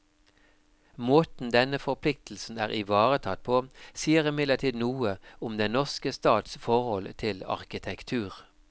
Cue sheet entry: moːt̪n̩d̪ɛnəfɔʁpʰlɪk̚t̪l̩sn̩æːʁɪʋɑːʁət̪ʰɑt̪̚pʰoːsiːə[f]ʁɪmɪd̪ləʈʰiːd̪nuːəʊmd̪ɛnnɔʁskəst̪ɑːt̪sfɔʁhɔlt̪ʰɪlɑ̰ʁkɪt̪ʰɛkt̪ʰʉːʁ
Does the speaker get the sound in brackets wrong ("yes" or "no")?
yes